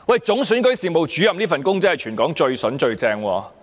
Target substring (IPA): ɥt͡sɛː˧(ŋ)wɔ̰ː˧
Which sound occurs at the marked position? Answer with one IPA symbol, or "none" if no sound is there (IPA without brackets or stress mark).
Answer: ŋ